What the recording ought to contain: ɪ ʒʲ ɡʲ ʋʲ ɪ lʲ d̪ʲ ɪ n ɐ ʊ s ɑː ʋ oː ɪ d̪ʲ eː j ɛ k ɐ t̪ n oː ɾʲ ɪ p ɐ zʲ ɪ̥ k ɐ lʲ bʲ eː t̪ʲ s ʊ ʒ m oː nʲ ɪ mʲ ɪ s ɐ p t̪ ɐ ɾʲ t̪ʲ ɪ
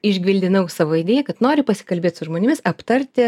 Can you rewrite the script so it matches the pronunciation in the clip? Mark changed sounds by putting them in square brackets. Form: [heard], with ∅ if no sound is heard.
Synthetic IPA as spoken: ɪ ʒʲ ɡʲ ʋʲ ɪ lʲ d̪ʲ ɪ n ɐ ʊ s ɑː ʋ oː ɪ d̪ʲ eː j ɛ k ɐ t̪ n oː ɾʲ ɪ p ɐ [sʲ] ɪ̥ k ɐ lʲ bʲ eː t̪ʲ s ʊ ʒ m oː nʲ ɪ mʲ ɪ s ɐ p t̪ ɐ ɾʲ t̪ʲ ɪ